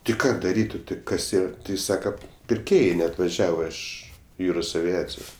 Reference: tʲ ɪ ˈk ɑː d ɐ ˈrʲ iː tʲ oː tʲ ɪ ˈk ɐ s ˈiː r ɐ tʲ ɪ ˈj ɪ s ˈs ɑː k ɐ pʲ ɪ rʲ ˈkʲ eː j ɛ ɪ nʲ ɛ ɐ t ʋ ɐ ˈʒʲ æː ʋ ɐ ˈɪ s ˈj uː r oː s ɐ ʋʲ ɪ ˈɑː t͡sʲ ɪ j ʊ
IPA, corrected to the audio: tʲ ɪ ˈk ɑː d ɐ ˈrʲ iː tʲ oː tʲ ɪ ˈk ɐ s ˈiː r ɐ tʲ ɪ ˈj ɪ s ˈs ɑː k ɐ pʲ ɪ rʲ ˈkʲ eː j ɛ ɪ nʲ ɛ ɐ t ʋ ɐ ˈʒʲ æː ʋ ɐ ˈɪ ʃ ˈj uː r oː s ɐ ʋʲ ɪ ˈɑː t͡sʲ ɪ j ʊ